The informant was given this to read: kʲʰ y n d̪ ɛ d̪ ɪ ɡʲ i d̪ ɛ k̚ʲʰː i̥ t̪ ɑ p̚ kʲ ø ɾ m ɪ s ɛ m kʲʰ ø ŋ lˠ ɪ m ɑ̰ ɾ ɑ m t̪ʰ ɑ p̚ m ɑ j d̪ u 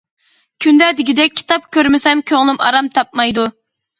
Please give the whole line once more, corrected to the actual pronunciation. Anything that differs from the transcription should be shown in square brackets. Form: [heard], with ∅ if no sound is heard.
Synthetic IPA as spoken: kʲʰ y n d̪ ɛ d̪ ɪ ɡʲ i d̪ ɛ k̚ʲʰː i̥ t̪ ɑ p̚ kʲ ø ɾ m ɪ s ɛ m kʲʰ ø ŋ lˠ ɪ m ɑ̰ ɾ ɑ m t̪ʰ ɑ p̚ m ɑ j d̪ u